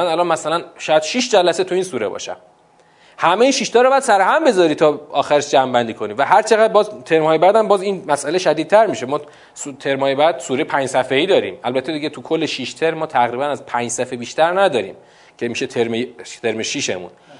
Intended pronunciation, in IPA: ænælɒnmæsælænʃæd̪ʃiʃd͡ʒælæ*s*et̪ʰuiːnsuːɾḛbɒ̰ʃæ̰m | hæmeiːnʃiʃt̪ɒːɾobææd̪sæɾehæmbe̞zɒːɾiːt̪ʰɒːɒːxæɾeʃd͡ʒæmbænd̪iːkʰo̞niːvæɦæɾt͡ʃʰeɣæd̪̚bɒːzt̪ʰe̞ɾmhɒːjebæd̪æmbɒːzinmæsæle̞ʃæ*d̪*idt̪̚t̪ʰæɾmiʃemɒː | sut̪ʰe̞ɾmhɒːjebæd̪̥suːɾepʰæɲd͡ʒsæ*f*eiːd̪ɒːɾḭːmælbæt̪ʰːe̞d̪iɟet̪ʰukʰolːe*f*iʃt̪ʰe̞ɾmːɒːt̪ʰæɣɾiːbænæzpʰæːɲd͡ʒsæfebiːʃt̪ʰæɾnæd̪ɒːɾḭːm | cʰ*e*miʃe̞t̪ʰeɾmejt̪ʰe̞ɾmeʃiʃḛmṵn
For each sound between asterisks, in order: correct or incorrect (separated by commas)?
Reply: correct, correct, correct, incorrect, correct